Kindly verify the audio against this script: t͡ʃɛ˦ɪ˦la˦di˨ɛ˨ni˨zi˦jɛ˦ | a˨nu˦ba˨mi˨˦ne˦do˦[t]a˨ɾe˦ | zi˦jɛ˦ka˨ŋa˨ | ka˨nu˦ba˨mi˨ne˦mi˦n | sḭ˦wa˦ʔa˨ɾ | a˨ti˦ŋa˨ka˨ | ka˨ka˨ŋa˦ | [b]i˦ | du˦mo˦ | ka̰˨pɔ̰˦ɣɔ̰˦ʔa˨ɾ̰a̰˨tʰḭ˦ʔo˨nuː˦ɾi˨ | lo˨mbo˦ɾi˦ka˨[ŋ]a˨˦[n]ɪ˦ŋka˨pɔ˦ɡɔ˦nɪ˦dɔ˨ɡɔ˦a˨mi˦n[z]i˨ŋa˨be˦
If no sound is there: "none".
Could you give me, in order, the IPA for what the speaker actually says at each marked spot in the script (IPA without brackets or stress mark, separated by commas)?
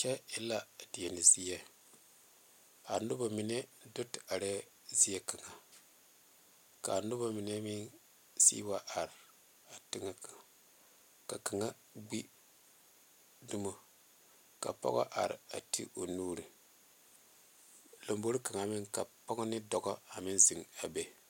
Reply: t, ɡ͡b, ŋ, m, z